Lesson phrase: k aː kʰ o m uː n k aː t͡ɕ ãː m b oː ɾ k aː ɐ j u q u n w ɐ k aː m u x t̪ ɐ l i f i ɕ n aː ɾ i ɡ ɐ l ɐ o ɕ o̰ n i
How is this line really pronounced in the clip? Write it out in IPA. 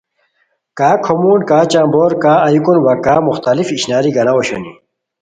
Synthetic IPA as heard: k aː kʰ o m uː n k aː t͡ɕ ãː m b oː ɾ k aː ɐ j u k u n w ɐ k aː m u x t̪ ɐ l i f i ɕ n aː ɾ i ɡ ɐ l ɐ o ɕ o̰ n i